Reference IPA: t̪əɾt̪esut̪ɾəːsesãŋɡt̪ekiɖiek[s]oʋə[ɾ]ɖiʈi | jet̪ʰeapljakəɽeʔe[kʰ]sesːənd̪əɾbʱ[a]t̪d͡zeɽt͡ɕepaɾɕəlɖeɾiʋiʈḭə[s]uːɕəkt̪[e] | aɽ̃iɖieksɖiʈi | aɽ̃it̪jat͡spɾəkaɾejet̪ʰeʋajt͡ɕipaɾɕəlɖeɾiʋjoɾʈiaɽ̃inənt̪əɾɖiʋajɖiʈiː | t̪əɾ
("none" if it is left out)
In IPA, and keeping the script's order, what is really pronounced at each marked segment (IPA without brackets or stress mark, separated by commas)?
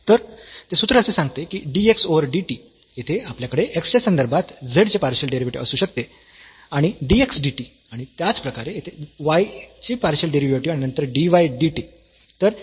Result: s, ɾ, k, a, s, e